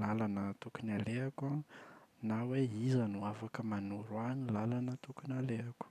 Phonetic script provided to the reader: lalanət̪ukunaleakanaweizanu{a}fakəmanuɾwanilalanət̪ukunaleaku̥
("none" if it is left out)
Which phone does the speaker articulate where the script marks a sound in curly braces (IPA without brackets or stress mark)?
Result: a